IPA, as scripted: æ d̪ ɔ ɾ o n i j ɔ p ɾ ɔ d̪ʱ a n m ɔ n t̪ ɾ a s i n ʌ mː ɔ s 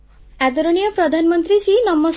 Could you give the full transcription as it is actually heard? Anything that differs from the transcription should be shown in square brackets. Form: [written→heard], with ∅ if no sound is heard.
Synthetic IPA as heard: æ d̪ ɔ ɾ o n i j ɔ p ɾ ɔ d̪ʱ a n m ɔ n t̪ ɾ [a→i] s i n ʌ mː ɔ s